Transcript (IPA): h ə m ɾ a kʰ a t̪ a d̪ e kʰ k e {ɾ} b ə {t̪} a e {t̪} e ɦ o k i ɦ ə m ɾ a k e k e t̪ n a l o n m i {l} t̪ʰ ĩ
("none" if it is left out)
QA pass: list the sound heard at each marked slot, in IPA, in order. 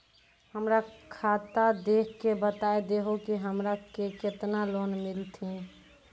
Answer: none, t̪, d̪, l

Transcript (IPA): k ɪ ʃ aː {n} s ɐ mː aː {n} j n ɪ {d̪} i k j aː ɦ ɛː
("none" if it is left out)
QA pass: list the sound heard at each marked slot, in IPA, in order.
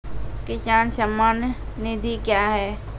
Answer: n, n, d̪

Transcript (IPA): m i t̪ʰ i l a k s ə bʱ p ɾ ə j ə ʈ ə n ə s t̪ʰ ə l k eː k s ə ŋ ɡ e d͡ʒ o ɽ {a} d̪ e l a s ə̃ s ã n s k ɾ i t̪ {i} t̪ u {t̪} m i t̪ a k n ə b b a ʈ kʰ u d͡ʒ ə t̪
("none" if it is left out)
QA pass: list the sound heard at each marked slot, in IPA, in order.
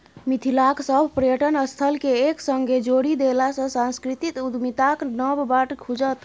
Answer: i, i, d̪

